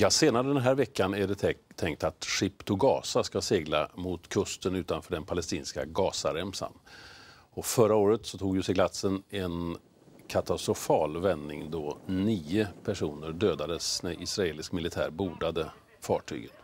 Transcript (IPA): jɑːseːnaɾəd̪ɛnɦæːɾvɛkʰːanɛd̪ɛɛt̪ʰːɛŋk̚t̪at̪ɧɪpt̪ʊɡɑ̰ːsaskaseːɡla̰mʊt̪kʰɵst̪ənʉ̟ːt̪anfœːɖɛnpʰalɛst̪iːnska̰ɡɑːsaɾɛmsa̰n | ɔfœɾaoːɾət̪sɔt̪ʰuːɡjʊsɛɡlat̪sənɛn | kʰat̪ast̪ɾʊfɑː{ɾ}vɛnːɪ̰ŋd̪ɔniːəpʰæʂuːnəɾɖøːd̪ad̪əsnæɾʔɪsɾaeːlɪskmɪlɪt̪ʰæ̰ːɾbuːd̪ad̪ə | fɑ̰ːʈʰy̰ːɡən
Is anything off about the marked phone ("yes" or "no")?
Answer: yes